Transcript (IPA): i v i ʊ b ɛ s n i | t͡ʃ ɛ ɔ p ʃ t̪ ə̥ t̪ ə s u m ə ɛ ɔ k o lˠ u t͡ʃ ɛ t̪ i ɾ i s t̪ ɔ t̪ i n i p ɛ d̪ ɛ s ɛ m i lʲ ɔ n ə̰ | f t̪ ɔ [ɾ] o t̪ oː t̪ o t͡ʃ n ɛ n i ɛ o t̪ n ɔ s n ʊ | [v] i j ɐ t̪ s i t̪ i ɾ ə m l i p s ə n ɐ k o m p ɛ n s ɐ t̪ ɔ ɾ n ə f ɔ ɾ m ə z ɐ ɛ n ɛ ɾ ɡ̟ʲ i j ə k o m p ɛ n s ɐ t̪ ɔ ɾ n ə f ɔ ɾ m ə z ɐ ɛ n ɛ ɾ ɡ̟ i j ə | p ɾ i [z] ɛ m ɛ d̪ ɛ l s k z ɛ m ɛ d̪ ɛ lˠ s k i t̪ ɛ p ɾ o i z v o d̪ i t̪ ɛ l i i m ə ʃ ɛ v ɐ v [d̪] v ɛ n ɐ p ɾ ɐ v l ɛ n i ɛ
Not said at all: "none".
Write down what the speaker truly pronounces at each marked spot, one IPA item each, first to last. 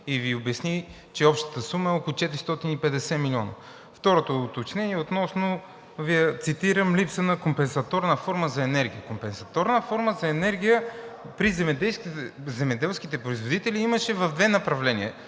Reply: ɾ, v, z, d̪

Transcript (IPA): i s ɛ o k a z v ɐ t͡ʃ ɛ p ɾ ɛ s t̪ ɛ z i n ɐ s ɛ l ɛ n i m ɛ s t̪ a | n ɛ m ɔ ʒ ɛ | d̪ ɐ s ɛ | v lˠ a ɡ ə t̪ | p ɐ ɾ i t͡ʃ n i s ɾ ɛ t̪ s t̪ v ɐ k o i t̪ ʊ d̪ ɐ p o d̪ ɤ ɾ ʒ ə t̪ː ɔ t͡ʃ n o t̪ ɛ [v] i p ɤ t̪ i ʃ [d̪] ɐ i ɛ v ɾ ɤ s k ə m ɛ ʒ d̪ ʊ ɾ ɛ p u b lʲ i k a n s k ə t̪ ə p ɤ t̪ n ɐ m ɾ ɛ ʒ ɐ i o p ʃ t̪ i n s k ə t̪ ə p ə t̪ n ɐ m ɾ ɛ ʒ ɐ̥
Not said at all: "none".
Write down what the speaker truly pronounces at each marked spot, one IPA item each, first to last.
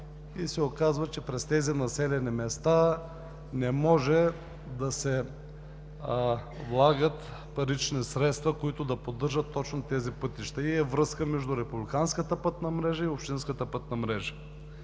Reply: z, t̪

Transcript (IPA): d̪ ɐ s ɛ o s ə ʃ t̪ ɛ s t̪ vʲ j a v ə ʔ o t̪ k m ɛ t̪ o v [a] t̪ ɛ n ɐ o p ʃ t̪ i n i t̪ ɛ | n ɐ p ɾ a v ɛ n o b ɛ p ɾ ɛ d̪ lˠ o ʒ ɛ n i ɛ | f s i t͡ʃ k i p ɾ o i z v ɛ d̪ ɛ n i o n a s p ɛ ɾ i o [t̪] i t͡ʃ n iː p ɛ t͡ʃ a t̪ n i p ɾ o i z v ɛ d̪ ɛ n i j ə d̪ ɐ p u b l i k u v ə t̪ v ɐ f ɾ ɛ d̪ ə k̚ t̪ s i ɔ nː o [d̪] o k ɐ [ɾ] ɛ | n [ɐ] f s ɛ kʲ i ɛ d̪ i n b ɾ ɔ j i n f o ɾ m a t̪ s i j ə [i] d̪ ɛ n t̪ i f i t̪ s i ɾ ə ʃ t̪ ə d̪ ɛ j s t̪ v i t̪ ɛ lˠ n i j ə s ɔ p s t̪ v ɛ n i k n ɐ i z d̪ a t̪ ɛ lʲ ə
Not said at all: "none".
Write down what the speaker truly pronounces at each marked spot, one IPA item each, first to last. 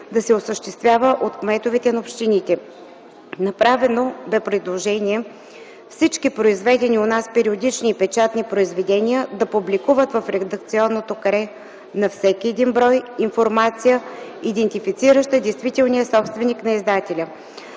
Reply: ɛ, d̪, t̪, ɾ, ɐ, i

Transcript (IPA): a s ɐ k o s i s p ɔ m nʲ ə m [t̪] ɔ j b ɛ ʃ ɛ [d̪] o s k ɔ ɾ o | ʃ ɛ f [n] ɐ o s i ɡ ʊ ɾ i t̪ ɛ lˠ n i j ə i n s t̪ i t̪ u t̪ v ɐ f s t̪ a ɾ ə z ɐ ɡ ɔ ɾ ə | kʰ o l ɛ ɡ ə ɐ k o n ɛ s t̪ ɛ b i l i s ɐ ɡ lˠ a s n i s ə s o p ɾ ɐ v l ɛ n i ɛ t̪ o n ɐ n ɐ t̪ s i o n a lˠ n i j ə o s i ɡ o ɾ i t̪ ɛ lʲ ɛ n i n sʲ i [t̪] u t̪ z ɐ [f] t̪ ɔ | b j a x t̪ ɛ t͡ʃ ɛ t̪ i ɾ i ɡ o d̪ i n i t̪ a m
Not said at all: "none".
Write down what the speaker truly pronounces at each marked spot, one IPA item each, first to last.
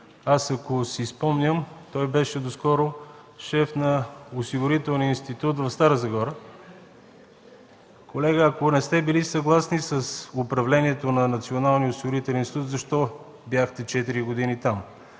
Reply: t̪, d̪, n, t̪, ʃ

